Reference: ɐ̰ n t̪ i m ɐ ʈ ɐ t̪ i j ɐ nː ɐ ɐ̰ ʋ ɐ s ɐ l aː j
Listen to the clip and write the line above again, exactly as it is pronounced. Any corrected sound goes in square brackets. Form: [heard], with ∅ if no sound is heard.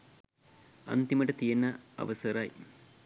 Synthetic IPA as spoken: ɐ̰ n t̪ i m ɐ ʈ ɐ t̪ i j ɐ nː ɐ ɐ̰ ʋ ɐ s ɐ [ɾ] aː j